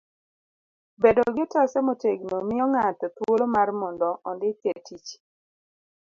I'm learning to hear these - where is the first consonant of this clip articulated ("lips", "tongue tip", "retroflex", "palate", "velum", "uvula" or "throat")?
lips